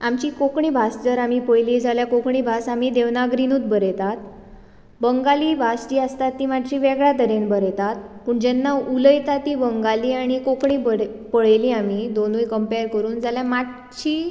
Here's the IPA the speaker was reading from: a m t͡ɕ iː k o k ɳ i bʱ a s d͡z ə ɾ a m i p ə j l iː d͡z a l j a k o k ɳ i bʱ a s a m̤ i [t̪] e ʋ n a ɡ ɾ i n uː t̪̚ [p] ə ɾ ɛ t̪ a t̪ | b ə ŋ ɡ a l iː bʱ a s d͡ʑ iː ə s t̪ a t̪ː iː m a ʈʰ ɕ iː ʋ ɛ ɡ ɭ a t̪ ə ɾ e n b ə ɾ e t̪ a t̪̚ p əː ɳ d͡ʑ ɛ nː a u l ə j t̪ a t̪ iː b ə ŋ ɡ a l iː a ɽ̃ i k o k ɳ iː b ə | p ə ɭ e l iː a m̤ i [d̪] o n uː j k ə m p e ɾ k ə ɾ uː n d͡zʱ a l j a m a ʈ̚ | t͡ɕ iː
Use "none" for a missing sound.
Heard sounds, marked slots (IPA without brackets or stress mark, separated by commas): d̪, b, d̪